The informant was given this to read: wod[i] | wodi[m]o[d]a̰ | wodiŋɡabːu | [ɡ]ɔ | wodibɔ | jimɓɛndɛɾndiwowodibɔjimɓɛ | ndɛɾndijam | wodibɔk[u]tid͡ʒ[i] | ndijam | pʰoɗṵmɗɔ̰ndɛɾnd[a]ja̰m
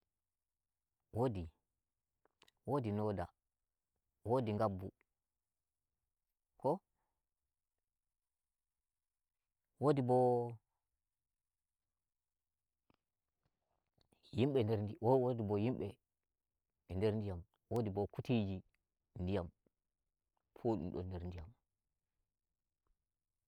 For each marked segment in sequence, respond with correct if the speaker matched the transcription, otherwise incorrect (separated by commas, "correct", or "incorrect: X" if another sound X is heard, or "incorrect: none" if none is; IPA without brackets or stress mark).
correct, incorrect: n, correct, incorrect: k, correct, correct, incorrect: i